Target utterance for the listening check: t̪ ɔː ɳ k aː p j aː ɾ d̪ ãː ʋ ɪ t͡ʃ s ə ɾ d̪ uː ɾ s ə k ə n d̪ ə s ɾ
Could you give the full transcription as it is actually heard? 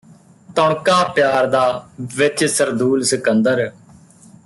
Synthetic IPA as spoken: t̪ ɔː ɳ k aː p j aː ɾ d̪ aː ʋ ɪ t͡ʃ s ə ɾ d̪ uː l s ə k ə n d̪ ə ɾ